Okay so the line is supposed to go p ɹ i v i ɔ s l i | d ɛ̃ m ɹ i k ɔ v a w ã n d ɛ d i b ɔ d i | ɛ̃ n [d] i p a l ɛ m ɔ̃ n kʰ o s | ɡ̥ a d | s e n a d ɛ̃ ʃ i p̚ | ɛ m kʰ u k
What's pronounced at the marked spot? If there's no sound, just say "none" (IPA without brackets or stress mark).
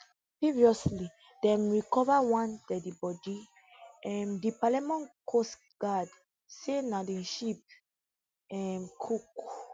d